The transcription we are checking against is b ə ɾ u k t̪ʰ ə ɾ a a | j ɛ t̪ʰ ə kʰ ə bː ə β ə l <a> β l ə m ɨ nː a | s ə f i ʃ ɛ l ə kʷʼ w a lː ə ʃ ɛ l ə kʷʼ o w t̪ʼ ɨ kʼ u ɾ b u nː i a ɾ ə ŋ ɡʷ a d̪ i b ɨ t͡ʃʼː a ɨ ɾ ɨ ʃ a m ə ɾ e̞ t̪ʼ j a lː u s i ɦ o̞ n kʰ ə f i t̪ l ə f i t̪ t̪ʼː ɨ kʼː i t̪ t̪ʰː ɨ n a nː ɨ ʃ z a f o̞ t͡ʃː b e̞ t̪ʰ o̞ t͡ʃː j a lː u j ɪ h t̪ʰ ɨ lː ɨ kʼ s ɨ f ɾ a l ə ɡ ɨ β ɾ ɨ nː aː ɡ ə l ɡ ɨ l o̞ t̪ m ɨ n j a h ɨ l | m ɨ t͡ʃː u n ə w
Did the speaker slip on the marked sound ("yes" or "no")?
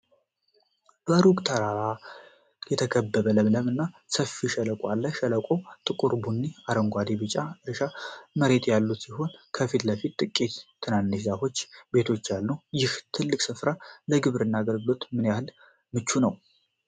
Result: yes